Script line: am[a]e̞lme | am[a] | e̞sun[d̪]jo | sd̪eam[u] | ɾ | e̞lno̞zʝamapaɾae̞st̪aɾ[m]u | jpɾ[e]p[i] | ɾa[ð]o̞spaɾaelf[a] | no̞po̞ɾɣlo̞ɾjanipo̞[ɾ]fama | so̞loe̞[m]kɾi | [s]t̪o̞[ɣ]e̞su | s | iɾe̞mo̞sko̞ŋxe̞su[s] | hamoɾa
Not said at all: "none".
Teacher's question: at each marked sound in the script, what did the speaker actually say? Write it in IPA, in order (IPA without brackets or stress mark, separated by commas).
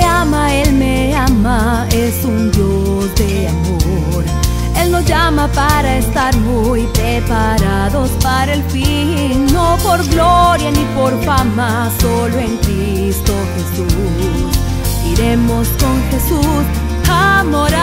a, a, d̪, o, m, e, a, ð, i, ɾ, ŋ, s, x, s